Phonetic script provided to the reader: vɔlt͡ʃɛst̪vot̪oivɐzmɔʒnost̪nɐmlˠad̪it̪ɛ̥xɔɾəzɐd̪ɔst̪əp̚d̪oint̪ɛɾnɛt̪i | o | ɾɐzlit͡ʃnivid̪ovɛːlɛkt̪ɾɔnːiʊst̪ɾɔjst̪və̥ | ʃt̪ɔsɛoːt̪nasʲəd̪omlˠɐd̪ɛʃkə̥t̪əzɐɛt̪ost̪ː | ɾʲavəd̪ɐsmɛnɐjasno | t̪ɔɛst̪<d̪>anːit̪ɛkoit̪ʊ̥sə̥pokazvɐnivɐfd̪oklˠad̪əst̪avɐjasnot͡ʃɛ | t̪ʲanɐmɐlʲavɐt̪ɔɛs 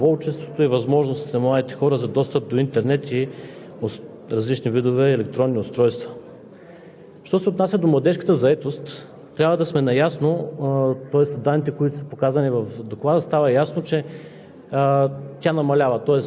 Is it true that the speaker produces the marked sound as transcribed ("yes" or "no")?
yes